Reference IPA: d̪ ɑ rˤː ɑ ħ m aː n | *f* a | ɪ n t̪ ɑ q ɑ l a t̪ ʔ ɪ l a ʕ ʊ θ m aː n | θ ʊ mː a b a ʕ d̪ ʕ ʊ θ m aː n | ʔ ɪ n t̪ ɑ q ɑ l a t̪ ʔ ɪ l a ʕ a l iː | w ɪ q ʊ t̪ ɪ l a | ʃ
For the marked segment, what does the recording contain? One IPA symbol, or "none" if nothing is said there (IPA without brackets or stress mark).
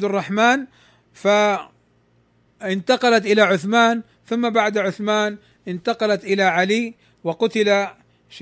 f